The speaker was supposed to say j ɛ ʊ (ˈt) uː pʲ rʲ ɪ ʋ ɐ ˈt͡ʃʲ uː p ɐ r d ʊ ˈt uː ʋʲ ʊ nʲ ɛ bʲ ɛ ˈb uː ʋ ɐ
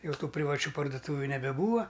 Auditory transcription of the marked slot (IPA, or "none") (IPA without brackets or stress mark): t